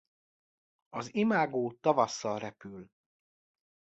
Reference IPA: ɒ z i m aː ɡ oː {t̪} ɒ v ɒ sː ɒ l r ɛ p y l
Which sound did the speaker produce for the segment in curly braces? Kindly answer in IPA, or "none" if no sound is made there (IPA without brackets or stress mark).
t̪